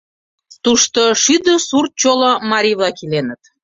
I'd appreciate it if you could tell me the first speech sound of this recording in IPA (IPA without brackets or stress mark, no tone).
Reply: t̪